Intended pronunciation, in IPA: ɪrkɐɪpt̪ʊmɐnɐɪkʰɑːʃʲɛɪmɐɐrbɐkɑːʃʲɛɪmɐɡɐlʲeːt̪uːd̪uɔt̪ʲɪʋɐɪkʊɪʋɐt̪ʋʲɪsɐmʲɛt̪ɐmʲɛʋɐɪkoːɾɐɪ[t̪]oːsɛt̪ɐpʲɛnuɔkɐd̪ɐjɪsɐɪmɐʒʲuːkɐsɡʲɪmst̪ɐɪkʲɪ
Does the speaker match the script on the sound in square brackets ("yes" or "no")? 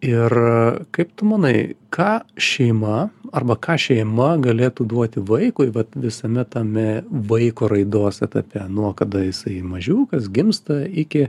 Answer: no